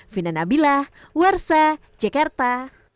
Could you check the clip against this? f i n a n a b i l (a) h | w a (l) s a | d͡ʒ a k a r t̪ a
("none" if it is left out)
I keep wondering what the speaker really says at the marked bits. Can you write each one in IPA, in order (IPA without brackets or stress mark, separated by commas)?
a, r